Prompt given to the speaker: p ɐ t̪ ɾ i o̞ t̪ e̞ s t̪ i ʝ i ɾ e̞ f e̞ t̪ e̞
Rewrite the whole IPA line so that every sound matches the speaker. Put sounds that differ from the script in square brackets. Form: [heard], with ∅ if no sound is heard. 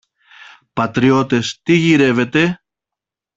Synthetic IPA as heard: p ɐ t̪ ɾ i o̞ t̪ e̞ s t̪ i ʝ i ɾ e̞ [v] e̞ t̪ e̞